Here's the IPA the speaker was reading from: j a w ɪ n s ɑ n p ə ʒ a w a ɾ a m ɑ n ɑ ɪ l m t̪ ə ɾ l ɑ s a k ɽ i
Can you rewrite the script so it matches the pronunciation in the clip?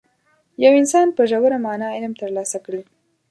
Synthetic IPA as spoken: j a w ɪ n s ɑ n p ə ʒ a w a ɾ a m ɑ n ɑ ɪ l m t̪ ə ɾ l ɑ s a k ɽ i